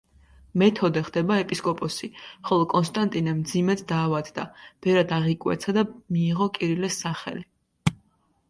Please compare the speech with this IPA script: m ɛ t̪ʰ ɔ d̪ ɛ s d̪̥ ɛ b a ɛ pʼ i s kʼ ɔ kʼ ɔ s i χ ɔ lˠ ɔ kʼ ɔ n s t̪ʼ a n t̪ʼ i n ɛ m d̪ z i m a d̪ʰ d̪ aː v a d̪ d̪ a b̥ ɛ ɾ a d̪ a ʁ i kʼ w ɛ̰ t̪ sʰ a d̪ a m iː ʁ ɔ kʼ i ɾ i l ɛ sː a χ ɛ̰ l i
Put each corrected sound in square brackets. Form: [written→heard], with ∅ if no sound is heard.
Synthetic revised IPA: m ɛ t̪ʰ ɔ d̪ ɛ [s→χ] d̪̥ ɛ b a ɛ pʼ i s kʼ ɔ [kʼ→pʼ] ɔ s i χ ɔ lˠ ɔ kʼ ɔ n s t̪ʼ a n t̪ʼ i n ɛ m d̪ z i m [a→ɛ] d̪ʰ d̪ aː v a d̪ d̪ a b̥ ɛ ɾ a d̪ a ʁ i kʼ w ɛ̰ t̪ sʰ a d̪ a m iː ʁ ɔ kʼ i ɾ i l ɛ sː a χ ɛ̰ l i